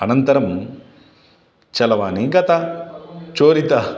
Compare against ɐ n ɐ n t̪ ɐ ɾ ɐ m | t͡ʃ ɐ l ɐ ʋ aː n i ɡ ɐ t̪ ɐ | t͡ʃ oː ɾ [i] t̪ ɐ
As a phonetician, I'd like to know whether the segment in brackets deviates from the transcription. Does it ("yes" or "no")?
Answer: no